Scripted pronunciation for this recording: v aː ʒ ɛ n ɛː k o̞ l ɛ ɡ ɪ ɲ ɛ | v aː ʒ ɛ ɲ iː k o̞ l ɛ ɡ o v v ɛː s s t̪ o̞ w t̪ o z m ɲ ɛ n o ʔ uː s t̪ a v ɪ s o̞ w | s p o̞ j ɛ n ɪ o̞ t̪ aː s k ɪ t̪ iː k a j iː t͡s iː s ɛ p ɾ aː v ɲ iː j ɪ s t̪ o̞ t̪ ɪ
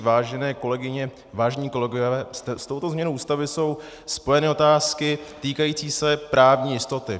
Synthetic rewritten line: v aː ʒ ɛ n ɛː k o̞ l ɛ ɡ ɪ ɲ ɛ | v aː ʒ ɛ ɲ iː k o̞ l ɛ ɡ o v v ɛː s s t̪ o̞ w t̪ o z m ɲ ɛ n o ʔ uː s t̪ a v ɪ s o̞ w | s p o̞ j ɛ n ɪ o̞ t̪ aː s k ɪ t̪ iː k a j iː t͡s iː s ɛ p ɾ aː v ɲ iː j ɪ s t̪ o̞ t̪ ɪ

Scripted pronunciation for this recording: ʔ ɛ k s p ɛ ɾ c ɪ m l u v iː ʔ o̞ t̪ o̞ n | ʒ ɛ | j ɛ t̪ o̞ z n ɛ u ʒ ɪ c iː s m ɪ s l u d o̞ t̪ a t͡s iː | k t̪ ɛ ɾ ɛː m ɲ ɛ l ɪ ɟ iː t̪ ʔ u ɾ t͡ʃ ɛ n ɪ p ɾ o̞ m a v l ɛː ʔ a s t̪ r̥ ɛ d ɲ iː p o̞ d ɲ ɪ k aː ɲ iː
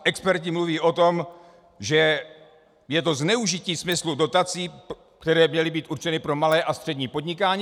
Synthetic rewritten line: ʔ ɛ k s p ɛ ɾ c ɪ m l u v iː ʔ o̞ t̪ o̞ m | ʒ ɛ | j ɛ t̪ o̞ z n ɛ u ʒ ɪ c iː s m ɪ s l u d o̞ t̪ a t͡s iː | k t̪ ɛ ɾ ɛː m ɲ ɛ l ɪ b iː t̪ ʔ u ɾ t͡ʃ ɛ n ɪ p ɾ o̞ m a l ɛː ʔ a s t̪ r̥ ɛ d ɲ iː p o̞ d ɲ ɪ k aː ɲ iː

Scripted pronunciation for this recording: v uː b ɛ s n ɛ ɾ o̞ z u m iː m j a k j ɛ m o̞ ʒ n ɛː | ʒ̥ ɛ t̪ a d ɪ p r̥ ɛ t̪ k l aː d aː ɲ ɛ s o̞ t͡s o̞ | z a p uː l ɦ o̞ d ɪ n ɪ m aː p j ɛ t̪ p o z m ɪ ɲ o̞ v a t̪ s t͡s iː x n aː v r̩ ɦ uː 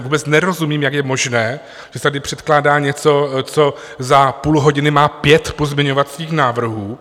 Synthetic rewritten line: v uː b ɛ t͡s n ɛ ɾ o̞ z u m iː m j a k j ɛ m o̞ ʒ n ɛː | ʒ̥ ɛ t̪ a d ɪ p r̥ ɛ t̪ k l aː d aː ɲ ɛ t͡s o̞ t͡s o̞ | z a p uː l ɦ o̞ ɟ ɪ n ɪ m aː p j ɛ t̪ p o z m ɪ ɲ o̞ v a t̪ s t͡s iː x n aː v r̩ ɦ uː

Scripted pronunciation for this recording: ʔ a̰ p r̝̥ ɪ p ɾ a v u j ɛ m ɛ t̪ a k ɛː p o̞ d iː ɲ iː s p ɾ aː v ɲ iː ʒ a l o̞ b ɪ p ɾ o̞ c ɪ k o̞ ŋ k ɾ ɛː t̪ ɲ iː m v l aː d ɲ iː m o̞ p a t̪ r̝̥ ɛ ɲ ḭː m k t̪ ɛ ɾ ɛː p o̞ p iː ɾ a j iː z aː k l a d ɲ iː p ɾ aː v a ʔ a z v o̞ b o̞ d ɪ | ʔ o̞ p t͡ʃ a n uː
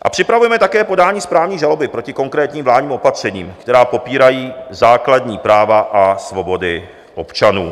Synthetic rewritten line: ʔ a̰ p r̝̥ ɪ p ɾ a v u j ɛ m ɛ t̪ a k ɛː p o̞ d aː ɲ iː s p ɾ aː v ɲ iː ʒ a l o̞ b ɪ p ɾ o̞ c ɪ k o̞ ŋ k ɾ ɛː t̪ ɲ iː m v l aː d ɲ iː m o̞ p a t̪ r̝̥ ɛ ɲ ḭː m k t̪ ɛ ɾ aː p o̞ p iː ɾ a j iː z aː k l a d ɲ iː p ɾ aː v a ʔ a s v o̞ b o̞ d ɪ | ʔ o̞ p t͡ʃ a n uː

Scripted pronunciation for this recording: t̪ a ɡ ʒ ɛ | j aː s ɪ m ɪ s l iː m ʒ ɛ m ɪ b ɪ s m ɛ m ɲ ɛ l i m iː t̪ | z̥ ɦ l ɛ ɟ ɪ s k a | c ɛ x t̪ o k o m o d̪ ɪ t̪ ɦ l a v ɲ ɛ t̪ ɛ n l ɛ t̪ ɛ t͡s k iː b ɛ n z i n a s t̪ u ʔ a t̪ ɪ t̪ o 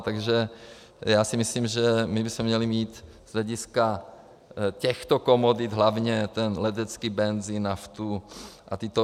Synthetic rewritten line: t̪ a ɡ ʒ ɛ | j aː s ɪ m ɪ s l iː m ʒ ɛ m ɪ b ɪ s m ɛ m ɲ ɛ l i m iː t̪ | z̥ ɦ l ɛ ɟ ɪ s k a | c ɛ x t̪ o k o m o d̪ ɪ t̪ ɦ l a v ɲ ɛ t̪ ɛ n l ɛ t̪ ɛ t͡s k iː b ɛ n z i n a f t̪ u ʔ a t̪ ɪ t̪ o

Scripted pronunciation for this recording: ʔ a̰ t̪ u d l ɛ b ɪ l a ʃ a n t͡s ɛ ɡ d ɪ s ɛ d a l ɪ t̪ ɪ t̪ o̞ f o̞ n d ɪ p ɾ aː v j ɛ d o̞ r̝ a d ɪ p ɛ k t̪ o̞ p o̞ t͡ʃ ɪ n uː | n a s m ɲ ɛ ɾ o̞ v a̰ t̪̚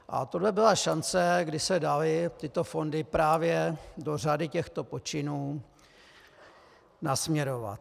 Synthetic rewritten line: ʔ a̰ t̪ o d l ɛ b ɪ l a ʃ a n t͡s ɛ ɡ d ɪ s ɛ d a l ɪ t̪ ɪ t̪ o̞ f o̞ n d ɪ p ɾ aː v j ɛ d o̞ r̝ a d ɪ c ɛ x t̪ o̞ p o̞ t͡ʃ ɪ n uː | n a s m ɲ ɛ ɾ o̞ v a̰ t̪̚

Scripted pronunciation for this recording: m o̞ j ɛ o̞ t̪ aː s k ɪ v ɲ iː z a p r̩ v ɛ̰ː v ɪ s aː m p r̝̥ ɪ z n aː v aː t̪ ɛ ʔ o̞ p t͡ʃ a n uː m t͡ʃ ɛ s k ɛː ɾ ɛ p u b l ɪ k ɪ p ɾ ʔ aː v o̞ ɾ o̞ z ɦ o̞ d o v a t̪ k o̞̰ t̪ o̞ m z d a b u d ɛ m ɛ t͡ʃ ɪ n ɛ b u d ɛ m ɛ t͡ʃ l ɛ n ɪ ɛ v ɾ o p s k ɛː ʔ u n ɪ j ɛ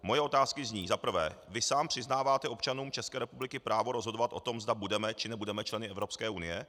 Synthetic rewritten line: m o̞ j ɛ o̞ t̪ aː s k ɪ z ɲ iː z a p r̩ v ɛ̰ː v ɪ s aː m p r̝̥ ɪ z n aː v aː t̪ ɛ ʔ o̞ p t͡ʃ a n uː m t͡ʃ ɛ s k ɛː ɾ ɛ p u b l ɪ k ɪ p ɾ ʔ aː v o̞ ɾ o̞ z ɦ o̞ d o v a t̪ ʔ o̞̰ t̪ o̞ m z d a b u d ɛ m ɛ t͡ʃ ɪ n ɛ b u d ɛ m ɛ t͡ʃ l ɛ n ɪ ɛ v ɾ o p s k ɛː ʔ u n ɪ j ɛ

